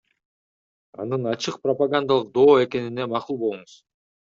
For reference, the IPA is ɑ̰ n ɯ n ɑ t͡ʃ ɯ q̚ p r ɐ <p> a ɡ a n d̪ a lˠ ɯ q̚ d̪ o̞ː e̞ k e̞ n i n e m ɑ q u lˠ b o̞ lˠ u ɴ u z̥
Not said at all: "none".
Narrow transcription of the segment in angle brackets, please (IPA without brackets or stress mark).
p